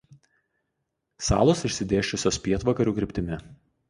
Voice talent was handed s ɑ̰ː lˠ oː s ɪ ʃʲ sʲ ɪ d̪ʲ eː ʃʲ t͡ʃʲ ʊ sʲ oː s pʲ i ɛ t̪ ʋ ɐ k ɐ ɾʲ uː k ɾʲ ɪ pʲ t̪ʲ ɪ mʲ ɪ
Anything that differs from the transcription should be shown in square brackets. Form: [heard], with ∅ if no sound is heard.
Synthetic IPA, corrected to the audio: s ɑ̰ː lˠ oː s ɪ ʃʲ sʲ ɪ d̪ʲ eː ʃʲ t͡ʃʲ ʊ sʲ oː s pʲ i ɛ t̪ ʋ ɐ k ɐ ɾʲ uː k ɾʲ ɪ pʲ t̪ʲ ɪ mʲ ɪ